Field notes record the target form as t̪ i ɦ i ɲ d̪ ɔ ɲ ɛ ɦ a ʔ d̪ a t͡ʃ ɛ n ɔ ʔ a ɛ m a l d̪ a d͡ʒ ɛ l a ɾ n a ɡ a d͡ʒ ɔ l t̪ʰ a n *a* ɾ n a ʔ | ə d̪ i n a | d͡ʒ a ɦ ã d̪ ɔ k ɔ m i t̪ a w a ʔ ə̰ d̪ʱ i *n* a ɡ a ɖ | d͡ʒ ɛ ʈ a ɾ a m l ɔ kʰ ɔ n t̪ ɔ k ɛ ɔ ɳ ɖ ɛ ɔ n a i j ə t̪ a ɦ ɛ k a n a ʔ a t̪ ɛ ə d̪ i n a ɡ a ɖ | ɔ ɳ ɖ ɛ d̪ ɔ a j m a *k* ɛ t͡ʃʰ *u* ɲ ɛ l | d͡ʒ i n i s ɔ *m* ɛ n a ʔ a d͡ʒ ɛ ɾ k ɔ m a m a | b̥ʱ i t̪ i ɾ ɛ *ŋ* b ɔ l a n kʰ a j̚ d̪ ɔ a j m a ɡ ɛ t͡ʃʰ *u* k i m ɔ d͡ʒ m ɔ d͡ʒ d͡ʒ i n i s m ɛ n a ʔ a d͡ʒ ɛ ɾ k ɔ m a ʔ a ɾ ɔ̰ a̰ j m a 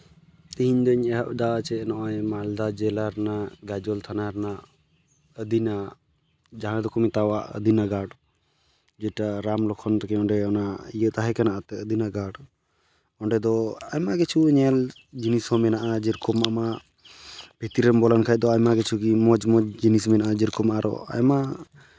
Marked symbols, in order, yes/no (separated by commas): yes, yes, no, yes, yes, no, yes